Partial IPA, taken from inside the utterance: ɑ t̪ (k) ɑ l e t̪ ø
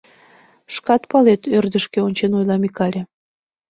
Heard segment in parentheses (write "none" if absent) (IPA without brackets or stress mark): p